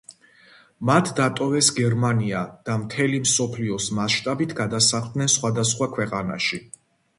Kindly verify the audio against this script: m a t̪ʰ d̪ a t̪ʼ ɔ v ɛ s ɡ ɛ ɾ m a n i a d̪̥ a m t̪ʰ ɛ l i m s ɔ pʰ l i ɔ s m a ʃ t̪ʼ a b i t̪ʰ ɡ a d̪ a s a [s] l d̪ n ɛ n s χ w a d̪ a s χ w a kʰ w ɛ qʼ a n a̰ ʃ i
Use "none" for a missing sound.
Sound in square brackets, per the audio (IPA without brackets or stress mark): χ